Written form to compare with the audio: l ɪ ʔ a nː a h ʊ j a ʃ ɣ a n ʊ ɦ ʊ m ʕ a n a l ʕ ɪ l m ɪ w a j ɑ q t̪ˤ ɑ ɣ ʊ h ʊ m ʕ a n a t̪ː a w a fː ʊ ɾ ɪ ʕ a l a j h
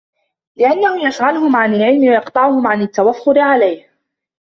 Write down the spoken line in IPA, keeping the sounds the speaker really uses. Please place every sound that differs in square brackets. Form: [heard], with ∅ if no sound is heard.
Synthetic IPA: l ɪ ʔ a nː a h ʊ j a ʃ ɣ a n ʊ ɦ ʊ m ʕ a n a l ʕ ɪ l m ɪ w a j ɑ q t̪ˤ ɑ [ʕ] ʊ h ʊ m ʕ a n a t̪ː a w a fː ʊ ɾ ɪ ʕ a l a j h